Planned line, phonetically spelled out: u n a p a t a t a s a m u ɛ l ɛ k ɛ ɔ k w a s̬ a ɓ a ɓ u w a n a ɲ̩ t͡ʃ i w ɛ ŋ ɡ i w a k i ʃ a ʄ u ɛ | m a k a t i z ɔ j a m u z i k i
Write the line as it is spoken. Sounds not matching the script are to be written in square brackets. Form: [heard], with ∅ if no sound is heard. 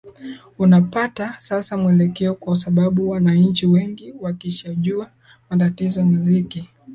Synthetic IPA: u n a p a t a [s] a s a m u ɛ l ɛ k ɛ ɔ k w a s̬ a ɓ a ɓ u w a n a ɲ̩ t͡ʃ i w ɛ ŋ ɡ i w a k i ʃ a ʄ u [a] | m a [t] a t i z ɔ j a m u z i k i